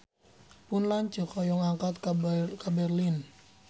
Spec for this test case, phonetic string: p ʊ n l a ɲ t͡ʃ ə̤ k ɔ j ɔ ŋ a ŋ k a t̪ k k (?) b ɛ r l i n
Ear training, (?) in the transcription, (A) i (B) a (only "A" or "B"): B